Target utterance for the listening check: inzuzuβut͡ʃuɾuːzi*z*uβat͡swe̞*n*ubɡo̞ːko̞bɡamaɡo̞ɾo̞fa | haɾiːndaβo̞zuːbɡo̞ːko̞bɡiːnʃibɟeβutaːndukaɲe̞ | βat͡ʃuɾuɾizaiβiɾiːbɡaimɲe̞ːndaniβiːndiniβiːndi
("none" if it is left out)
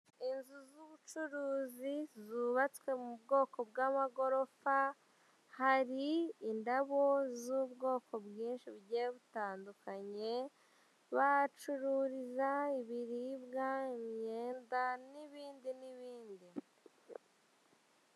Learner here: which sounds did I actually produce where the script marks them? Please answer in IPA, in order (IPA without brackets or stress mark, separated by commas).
z, m